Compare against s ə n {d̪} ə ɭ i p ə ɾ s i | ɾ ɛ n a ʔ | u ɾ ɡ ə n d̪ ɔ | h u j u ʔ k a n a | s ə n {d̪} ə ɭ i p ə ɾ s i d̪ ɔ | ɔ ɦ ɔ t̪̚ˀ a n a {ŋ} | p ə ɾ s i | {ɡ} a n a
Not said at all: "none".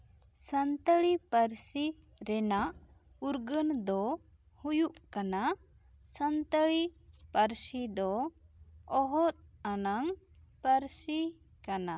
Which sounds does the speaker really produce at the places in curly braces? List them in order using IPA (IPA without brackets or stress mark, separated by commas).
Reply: t̪, t̪, ŋ, k